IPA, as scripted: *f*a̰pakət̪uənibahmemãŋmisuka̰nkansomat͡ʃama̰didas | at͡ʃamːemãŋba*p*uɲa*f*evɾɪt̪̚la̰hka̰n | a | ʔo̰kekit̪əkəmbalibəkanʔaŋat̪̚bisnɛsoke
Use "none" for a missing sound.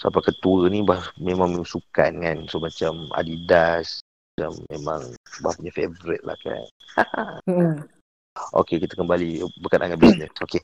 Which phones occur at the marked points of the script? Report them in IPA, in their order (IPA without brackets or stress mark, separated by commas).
s, p, f